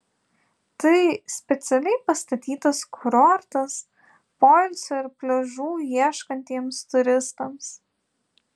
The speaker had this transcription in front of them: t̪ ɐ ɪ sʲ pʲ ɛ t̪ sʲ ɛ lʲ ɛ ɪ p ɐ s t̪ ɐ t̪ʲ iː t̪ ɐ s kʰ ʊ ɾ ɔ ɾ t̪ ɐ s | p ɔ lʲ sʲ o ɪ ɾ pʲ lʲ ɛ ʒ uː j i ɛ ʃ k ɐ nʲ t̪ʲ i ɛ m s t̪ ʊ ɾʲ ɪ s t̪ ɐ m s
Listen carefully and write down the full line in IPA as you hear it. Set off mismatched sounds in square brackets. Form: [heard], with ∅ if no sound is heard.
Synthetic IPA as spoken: t̪ ɐ ɪ sʲ pʲ ɛ t̪ sʲ ɛ lʲ ɛ ɪ p ɐ s t̪ ɐ t̪ʲ iː t̪ ɐ s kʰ ʊ ɾ ɔ ɾ t̪ ɐ s | p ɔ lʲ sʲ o ɪ ɾ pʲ lʲ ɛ ʒ uː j i ɛ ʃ k ɐ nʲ t̪ʲ i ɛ m s t̪ ʊ ɾʲ ɪ s t̪ ɐ m s